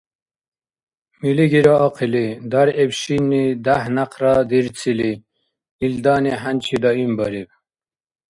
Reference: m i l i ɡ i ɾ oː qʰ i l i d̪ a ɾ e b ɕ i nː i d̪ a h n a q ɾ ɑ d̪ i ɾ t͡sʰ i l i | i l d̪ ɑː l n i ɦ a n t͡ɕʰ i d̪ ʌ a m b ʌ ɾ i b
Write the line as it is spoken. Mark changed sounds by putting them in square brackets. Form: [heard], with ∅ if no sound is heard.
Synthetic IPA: m i l i ɡ i ɾ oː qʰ i l i d̪ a ɾ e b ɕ i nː i d̪ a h n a q ɾ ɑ d̪ i ɾ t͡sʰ i l i | i l d̪ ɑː [∅] n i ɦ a n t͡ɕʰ i d̪ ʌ [i] m b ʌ ɾ i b

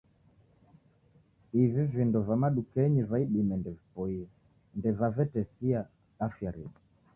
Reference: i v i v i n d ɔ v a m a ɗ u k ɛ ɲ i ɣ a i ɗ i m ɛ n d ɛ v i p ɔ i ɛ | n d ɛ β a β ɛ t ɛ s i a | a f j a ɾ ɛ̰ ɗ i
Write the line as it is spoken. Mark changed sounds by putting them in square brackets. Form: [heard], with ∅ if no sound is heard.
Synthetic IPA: i v i v i n d ɔ v a m a ɗ u k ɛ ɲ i [v] a i ɗ i m ɛ n d ɛ v i p ɔ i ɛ | n d ɛ [v] a [v] ɛ t ɛ s i a | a f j a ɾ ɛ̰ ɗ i

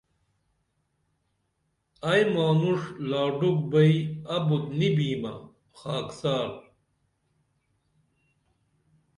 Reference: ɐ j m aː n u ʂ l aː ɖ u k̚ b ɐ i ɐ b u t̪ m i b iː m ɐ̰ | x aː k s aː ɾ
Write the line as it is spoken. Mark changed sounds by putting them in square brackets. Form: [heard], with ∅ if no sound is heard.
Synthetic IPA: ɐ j m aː n u ʂ l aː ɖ u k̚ b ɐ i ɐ b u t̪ [n] i b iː m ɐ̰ | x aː k s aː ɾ

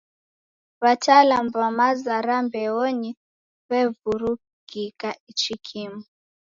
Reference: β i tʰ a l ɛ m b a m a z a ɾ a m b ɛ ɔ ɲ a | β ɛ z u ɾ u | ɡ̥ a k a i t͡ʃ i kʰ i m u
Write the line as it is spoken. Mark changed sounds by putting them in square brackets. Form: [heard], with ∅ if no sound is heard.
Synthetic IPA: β [a] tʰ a l [a] m b a m a z a ɾ a m b ɛ ɔ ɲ [i] | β ɛ [v] u ɾ u | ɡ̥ [i] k a i t͡ʃ i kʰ i m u

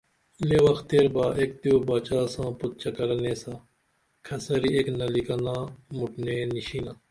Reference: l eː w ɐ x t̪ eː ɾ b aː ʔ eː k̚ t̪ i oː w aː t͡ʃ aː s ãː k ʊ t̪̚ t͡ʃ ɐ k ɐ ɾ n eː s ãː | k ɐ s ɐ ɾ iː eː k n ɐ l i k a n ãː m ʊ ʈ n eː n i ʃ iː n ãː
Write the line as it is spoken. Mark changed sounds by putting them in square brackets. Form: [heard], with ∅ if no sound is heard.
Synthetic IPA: l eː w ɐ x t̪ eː ɾ b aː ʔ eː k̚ t̪ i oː [b] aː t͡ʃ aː s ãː [p] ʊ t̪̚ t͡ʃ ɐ k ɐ ɾ n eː s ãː | [kʰ] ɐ s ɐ ɾ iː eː k n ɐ l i k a n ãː m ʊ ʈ n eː n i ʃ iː n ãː

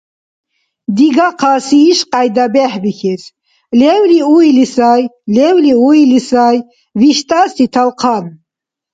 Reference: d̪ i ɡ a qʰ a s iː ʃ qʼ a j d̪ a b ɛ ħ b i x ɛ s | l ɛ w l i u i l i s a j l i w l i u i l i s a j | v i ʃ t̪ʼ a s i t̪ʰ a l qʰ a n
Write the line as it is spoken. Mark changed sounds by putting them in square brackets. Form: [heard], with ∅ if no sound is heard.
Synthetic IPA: d̪ i ɡ a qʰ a s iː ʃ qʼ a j d̪ a b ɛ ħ b i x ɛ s | l ɛ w l i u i l i s a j l [ɛ] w l i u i l i s a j | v i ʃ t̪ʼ a s i t̪ʰ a l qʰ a n

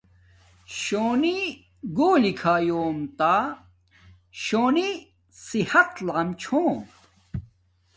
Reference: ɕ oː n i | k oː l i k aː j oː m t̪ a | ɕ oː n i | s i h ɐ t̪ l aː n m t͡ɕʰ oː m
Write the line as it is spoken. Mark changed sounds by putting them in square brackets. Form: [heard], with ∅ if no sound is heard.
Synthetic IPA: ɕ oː n i | [ɡ] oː l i [kʰ] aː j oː m t̪ a | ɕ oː n i | s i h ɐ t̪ l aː [∅] m t͡ɕʰ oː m

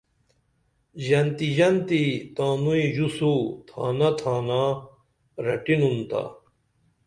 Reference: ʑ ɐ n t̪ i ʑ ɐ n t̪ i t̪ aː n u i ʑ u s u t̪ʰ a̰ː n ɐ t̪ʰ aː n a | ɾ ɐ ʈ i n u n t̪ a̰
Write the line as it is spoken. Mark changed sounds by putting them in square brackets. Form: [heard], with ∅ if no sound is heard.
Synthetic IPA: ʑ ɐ n t̪ i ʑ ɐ n t̪ i t̪ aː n u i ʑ u s u t̪ʰ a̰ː n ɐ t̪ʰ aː n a | ɾ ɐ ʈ i n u n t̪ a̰

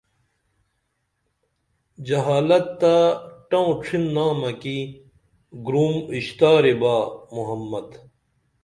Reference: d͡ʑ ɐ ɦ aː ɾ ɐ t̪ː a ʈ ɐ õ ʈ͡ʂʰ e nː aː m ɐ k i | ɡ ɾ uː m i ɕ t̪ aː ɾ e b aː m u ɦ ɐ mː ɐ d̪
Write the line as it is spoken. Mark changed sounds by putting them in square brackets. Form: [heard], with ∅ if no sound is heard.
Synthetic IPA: d͡ʑ ɐ ɦ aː [l] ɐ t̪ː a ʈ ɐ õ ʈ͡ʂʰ [i] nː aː m ɐ k i | ɡ ɾ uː m i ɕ t̪ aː ɾ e b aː m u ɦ ɐ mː ɐ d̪

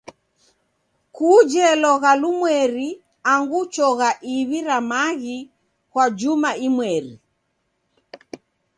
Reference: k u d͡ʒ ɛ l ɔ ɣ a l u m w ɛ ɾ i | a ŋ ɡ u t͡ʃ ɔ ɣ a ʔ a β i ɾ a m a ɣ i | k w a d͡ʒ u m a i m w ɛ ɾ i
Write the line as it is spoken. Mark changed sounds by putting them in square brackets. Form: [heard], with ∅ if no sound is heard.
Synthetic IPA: k u d͡ʒ ɛ l ɔ ɣ a l u m w ɛ ɾ i | a ŋ ɡ u t͡ʃ ɔ ɣ a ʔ [i] β i ɾ a m a ɣ i | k w a d͡ʒ u m a i m w ɛ ɾ i

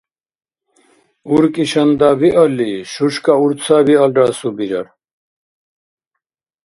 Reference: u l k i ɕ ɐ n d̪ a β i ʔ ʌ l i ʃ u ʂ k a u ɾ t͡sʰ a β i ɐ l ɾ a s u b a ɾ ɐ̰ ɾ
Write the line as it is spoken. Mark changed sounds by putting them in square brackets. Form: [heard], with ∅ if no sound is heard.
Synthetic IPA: u [ɾ] k i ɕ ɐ n d̪ a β i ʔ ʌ l i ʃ u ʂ k a u ɾ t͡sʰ a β i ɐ l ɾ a s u b [i] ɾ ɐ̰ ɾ

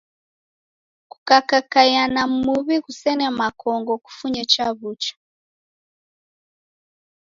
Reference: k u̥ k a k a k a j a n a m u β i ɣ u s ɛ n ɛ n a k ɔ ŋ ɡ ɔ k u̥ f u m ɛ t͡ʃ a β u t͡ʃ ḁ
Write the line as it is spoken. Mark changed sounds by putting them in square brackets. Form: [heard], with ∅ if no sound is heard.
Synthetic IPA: k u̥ k a k a k a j a n a m u β i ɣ u s ɛ n ɛ [m] a k ɔ ŋ ɡ ɔ k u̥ f u [ɲ] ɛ t͡ʃ a β u t͡ʃ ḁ

